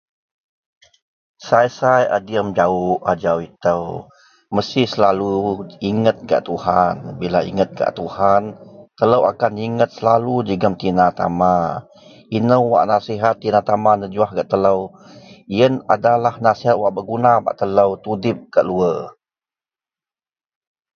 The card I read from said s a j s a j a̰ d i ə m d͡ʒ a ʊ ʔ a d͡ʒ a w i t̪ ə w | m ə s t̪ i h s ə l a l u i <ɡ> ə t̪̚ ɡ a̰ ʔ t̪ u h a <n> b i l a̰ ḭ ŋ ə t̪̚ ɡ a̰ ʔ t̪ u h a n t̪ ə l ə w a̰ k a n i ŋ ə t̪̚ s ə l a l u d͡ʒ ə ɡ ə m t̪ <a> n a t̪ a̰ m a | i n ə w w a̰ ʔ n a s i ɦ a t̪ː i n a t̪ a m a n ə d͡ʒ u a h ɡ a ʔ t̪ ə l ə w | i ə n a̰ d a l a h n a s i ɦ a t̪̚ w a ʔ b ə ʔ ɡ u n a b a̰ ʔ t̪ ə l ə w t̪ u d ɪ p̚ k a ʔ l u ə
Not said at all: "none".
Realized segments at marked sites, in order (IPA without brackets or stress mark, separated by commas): ŋ, n, i